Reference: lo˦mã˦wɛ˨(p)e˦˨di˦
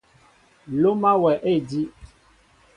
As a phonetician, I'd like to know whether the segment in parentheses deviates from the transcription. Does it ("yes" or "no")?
yes